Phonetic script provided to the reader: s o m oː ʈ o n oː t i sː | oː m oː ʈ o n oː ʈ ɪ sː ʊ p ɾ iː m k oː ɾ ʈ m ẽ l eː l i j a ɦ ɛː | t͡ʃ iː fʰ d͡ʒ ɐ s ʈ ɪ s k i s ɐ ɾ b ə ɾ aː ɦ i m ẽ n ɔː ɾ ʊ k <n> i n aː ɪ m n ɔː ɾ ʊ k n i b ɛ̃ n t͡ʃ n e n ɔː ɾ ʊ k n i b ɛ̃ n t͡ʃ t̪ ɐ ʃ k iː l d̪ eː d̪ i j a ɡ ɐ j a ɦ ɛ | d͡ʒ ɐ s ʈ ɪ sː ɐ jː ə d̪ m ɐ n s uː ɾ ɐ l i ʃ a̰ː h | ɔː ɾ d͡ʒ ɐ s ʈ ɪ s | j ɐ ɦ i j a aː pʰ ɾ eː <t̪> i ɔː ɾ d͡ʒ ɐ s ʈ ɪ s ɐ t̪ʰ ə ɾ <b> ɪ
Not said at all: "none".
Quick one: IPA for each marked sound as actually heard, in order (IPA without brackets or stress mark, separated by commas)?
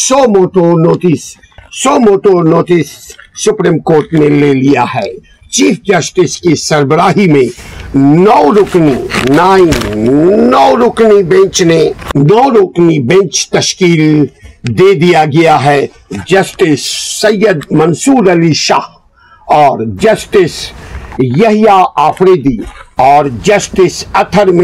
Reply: n, d̪, m